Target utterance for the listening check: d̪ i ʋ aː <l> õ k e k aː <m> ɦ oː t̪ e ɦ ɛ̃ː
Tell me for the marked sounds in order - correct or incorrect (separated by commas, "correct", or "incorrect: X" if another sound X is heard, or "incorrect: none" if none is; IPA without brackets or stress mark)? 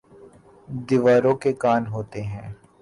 incorrect: ɾ, incorrect: n